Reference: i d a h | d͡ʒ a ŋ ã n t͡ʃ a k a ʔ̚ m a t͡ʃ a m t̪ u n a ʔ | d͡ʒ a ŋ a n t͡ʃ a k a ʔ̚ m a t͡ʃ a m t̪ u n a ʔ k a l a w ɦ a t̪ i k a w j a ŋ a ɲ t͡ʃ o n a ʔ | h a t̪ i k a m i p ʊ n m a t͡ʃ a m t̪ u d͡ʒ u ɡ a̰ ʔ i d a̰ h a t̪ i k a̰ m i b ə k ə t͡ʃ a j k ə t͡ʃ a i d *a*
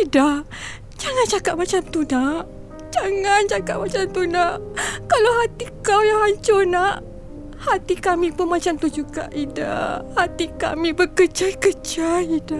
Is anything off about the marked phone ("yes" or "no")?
no